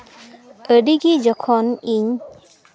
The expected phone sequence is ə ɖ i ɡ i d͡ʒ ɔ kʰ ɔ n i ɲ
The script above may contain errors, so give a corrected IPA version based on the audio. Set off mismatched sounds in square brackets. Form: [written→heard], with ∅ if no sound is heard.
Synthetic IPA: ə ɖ i ɡ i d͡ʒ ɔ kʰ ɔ n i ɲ